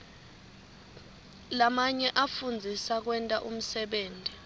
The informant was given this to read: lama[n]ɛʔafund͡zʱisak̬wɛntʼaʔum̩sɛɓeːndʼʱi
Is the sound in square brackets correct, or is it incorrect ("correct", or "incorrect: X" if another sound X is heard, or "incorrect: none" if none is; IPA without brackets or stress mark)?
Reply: incorrect: ɲ